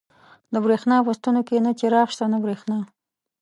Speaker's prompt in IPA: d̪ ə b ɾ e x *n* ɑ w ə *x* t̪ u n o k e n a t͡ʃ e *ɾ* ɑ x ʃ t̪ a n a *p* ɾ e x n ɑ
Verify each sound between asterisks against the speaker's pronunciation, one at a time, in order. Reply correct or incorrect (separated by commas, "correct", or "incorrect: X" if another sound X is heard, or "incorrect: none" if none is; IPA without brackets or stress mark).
correct, incorrect: s, correct, incorrect: b